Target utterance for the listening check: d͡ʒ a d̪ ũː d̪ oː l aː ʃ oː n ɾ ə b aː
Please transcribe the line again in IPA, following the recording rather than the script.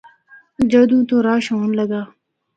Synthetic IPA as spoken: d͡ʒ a d̪ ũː t̪ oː ɾ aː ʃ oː n l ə ɡ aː